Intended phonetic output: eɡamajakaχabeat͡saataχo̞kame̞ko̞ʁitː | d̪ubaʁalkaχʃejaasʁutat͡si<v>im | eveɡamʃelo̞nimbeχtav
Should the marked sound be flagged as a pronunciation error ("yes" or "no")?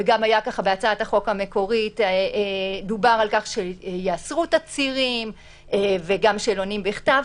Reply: yes